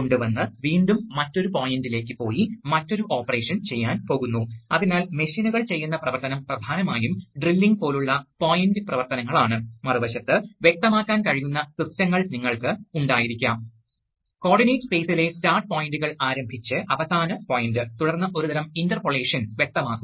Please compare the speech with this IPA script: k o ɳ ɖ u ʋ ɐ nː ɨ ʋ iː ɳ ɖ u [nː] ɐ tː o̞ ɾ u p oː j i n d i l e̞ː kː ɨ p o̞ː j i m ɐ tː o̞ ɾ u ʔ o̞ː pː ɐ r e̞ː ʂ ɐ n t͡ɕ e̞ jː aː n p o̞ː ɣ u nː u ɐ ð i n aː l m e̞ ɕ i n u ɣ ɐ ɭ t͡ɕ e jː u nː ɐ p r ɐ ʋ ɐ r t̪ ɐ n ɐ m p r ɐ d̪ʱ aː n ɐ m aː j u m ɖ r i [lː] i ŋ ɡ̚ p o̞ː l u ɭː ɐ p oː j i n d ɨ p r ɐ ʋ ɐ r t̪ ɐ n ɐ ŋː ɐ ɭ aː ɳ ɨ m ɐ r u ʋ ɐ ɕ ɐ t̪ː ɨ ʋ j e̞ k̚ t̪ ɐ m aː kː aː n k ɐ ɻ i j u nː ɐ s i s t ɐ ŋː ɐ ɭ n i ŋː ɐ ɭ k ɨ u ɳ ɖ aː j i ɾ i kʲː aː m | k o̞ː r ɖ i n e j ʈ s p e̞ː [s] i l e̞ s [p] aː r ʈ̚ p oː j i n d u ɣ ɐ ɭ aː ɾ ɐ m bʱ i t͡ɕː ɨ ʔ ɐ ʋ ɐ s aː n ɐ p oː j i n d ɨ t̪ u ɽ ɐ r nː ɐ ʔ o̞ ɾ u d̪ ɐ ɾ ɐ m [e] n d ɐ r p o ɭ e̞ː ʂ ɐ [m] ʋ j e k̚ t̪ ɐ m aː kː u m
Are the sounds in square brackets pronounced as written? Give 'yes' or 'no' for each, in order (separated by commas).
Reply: no, yes, yes, no, no, no